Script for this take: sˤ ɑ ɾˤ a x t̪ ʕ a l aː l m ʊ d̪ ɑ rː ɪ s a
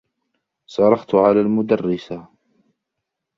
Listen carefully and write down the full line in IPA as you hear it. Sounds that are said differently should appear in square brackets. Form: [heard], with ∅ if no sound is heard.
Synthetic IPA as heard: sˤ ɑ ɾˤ [ɑ] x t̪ ʕ a l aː l m ʊ d̪ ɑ rː ɪ s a